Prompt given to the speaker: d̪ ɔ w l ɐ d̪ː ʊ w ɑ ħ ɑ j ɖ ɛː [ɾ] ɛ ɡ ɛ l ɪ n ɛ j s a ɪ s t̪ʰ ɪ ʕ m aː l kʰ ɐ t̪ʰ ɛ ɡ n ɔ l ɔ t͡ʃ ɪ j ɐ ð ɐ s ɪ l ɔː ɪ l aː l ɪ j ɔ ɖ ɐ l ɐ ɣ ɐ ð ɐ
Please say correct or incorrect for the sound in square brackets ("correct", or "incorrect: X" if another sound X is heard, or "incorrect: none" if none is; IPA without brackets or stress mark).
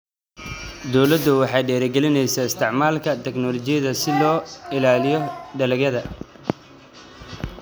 correct